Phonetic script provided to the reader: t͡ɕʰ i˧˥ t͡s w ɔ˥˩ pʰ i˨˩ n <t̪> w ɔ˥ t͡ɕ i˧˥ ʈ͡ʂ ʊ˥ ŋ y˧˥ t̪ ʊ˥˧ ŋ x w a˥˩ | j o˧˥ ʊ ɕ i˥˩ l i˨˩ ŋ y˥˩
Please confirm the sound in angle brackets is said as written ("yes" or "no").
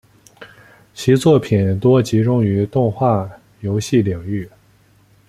yes